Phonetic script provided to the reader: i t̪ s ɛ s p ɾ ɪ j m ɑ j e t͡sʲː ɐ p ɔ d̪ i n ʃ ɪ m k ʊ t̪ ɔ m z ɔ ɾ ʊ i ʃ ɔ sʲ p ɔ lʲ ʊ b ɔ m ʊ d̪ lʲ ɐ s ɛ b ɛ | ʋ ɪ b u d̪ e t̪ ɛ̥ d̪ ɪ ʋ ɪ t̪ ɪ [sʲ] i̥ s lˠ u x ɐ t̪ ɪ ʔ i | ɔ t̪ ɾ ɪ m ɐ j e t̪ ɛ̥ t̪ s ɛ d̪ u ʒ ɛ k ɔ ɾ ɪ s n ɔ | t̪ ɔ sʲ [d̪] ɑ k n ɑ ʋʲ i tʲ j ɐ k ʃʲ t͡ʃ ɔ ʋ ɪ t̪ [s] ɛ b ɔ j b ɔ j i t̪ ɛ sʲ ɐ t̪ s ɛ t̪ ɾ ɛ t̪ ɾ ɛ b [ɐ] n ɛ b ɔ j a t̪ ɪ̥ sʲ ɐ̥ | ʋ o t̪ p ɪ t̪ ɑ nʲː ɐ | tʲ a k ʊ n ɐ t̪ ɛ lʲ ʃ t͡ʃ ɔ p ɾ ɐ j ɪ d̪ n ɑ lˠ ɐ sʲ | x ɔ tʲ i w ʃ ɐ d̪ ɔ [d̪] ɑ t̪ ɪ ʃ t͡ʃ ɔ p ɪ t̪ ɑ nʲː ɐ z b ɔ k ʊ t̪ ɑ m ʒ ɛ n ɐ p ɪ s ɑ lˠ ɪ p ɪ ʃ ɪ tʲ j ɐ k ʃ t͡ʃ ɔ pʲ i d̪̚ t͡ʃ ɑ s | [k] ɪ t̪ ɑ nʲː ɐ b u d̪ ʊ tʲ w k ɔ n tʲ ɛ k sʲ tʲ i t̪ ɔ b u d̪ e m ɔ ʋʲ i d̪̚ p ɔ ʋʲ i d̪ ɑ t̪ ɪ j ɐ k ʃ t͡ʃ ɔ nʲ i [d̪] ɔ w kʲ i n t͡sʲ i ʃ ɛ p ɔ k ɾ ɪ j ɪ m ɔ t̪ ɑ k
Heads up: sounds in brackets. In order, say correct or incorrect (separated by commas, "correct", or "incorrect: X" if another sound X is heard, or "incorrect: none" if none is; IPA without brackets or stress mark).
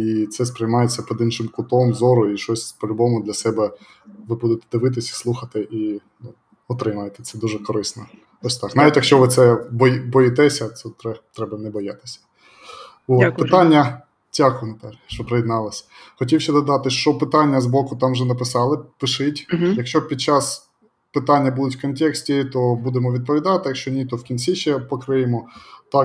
correct, incorrect: t̪, correct, correct, correct, incorrect: p, incorrect: t̪